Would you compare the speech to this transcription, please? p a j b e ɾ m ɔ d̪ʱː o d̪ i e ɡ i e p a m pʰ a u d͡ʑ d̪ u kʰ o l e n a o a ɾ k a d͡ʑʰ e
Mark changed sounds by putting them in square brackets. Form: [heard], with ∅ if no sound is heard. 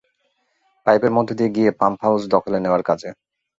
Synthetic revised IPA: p a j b e ɾ m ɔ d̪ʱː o d̪ i e ɡ i e p a m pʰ a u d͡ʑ d̪ [ɔ] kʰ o l e n [e] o a ɾ k a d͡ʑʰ e